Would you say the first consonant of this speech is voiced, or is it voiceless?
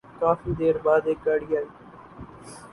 voiceless